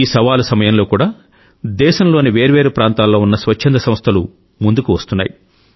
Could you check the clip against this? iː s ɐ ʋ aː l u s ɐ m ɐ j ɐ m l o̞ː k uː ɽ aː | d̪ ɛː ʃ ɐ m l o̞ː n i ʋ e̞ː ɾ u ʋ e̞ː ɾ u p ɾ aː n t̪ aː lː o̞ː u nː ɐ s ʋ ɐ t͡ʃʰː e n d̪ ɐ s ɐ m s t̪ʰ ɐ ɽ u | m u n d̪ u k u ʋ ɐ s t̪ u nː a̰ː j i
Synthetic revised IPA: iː s ɐ ʋ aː l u s ɐ m ɐ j ɐ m l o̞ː k uː ɽ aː | d̪ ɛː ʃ ɐ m l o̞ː n i ʋ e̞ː ɾ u ʋ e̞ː ɾ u p ɾ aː n t̪ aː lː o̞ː u nː ɐ s ʋ ɐ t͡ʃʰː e n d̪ ɐ s ɐ m s t̪ʰ ɐ l u | m u n d̪ u k u ʋ ɐ s t̪ u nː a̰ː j i